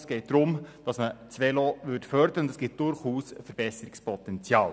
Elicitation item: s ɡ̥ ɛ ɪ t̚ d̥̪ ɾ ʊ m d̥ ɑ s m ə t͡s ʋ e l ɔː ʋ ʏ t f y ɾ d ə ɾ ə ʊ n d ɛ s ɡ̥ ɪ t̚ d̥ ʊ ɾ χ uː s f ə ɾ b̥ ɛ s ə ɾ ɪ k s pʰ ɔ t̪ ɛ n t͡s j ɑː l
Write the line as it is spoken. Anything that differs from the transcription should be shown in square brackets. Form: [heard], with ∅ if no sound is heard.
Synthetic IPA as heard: s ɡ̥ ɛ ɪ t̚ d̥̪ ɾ ʊ m d̥ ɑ s m ə t͡s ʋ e l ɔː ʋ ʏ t f [œ] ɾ d ə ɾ ə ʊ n d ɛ s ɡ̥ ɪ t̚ d̥ ʊ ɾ χ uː s f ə ɾ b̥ ɛ s ə ɾ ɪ k s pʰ ɔ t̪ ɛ n t͡s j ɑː l